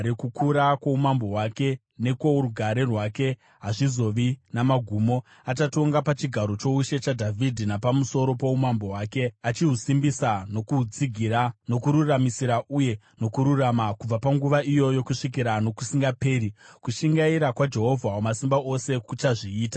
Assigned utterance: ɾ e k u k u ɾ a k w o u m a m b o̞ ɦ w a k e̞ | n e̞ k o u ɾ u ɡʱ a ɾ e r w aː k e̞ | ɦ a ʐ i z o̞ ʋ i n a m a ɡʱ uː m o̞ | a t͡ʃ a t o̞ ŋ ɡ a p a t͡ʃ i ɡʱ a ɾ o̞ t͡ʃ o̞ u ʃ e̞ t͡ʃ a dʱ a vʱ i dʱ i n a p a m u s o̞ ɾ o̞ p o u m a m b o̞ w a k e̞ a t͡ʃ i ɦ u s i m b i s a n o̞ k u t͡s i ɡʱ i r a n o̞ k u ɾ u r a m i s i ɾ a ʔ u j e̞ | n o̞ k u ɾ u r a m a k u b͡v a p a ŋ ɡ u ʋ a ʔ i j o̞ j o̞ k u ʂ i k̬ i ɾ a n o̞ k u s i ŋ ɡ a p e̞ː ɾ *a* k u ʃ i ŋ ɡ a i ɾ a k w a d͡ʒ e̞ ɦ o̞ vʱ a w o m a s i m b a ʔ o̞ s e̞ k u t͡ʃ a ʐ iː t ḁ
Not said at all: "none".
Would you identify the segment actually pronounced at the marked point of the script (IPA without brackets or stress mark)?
i